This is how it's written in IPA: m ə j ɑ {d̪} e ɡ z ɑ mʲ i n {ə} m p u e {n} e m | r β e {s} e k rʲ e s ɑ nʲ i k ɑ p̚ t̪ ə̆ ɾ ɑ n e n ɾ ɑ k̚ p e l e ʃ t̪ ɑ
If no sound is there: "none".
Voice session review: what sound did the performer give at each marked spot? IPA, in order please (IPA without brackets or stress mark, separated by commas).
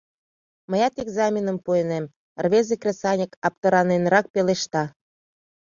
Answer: t̪, ə, n, z